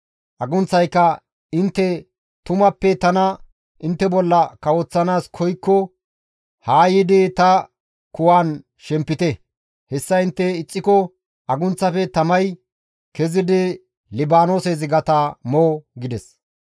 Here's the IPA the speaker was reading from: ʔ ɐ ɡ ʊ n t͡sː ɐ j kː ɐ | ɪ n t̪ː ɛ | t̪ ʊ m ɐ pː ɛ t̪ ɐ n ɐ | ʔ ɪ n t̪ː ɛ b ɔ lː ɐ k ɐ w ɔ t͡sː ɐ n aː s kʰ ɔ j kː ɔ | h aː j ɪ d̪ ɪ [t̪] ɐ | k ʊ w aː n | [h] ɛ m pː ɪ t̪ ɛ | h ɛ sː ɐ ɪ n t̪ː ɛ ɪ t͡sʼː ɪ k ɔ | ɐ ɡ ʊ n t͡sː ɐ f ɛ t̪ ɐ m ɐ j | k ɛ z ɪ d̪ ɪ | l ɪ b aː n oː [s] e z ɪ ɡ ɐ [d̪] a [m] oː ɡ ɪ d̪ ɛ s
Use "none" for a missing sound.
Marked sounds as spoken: t̪, ʃ, s, t̪, m

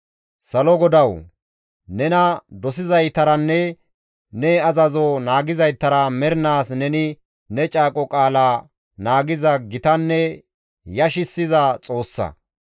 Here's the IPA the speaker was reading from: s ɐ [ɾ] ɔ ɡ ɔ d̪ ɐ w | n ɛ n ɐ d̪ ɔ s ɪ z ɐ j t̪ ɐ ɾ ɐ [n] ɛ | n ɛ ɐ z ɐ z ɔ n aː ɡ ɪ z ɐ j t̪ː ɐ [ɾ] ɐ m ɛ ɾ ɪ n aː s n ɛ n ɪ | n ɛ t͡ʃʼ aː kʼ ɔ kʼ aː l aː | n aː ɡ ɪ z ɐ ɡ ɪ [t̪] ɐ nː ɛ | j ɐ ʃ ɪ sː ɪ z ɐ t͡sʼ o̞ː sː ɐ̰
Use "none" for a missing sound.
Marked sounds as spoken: l, nː, ɾ, t̪

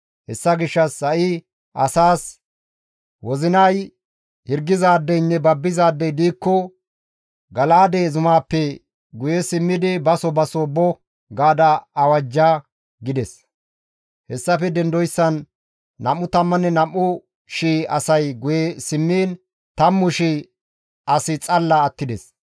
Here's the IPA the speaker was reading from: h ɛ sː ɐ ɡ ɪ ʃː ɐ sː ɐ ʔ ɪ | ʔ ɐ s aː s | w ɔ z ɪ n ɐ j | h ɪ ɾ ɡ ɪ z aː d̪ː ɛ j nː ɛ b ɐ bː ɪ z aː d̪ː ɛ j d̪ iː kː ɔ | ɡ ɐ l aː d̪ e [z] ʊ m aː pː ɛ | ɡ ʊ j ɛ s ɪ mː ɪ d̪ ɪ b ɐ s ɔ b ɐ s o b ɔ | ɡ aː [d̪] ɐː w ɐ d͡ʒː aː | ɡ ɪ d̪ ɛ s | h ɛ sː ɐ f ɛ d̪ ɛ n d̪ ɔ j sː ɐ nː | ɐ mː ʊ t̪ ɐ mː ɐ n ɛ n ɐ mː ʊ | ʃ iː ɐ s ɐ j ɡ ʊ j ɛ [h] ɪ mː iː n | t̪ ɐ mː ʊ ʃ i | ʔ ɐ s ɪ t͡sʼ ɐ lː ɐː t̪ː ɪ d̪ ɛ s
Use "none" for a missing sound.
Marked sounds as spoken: z, d̪, s

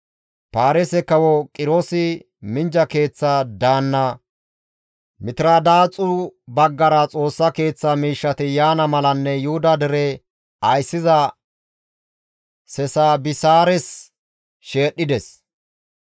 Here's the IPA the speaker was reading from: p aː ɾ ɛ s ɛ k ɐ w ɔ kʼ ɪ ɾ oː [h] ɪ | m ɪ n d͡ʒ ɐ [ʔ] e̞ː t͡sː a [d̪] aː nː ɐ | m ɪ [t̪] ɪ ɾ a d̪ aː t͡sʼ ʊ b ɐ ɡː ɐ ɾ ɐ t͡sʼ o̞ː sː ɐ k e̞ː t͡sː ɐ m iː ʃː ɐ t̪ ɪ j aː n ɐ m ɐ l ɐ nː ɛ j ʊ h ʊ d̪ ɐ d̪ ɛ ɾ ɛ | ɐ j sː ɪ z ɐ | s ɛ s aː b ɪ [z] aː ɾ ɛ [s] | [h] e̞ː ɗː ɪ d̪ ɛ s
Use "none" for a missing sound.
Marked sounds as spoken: s, k, d̪, t̪, s, s, ʃ

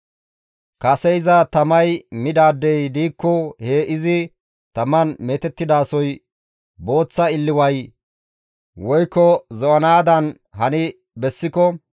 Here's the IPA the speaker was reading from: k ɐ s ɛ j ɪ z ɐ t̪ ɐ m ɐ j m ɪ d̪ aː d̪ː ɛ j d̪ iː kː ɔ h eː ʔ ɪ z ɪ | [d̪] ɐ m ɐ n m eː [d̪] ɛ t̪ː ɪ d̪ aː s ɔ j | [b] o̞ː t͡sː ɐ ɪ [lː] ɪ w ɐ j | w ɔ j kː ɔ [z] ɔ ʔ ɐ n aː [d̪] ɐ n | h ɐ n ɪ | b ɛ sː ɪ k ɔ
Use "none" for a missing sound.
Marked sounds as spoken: t̪, t̪, b, lː, z, d̪

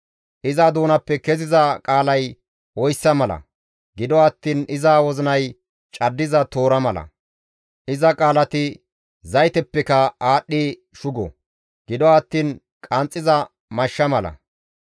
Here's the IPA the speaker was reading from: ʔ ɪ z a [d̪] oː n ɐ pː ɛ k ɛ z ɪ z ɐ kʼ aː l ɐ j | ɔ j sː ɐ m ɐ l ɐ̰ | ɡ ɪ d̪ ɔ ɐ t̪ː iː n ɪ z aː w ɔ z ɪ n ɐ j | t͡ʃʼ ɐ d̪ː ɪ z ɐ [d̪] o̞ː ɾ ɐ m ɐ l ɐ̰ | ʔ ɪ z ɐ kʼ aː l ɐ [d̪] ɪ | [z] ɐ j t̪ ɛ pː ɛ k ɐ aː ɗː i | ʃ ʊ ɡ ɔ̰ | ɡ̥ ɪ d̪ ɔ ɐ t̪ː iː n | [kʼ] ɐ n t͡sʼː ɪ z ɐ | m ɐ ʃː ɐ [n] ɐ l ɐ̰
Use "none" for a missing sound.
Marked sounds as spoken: d̪, t̪, t̪, z, kʼ, m

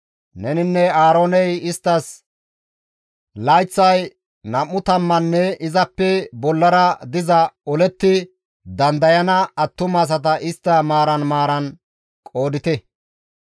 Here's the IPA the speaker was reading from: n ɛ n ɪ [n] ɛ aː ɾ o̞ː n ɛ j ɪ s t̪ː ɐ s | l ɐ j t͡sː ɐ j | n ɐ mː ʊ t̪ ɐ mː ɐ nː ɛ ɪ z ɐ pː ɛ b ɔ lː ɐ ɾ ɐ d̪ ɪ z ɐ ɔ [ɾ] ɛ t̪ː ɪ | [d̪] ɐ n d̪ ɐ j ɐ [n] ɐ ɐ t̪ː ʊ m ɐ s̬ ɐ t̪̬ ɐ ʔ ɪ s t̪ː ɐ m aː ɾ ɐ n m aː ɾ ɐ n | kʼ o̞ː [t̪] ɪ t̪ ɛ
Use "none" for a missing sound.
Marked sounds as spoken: nː, l, d̪, n, d̪

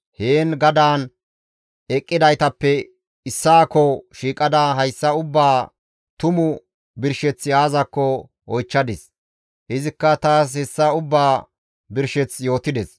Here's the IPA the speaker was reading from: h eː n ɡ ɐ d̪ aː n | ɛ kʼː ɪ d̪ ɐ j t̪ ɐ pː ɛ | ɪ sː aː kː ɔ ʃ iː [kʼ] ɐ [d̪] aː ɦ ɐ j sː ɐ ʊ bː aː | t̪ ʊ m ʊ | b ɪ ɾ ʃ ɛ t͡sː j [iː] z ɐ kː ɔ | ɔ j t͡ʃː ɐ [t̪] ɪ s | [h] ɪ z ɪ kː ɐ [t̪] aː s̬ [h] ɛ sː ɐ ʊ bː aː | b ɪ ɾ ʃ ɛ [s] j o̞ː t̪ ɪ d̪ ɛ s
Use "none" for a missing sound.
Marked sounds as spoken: kʼ, d̪, aː, d̪, h, t̪, h, t͡s

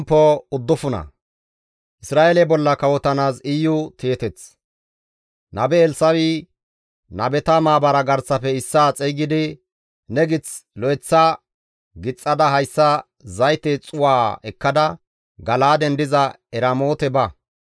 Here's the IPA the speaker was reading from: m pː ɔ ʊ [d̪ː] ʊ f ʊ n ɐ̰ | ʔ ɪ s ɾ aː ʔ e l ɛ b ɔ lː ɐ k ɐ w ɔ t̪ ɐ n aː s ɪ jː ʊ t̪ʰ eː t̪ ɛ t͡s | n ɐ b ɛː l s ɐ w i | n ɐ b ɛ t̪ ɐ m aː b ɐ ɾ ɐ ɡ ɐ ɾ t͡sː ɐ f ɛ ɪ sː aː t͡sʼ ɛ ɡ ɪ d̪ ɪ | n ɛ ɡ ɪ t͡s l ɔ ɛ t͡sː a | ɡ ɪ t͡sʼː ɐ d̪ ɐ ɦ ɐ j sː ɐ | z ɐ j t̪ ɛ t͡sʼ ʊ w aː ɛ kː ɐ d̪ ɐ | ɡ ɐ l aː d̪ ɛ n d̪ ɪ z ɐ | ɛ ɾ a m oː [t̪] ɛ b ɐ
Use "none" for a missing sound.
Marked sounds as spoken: d̪ː, t̪

